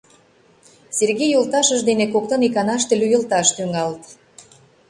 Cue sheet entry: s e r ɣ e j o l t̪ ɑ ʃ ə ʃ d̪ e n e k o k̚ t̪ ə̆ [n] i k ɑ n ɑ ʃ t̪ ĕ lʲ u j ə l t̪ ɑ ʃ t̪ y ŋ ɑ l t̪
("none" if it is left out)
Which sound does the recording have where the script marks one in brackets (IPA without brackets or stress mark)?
n